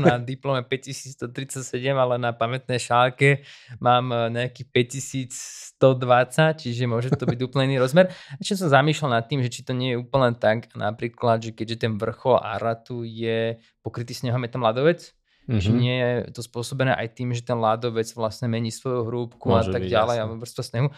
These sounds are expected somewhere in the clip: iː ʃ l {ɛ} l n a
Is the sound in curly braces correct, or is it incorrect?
incorrect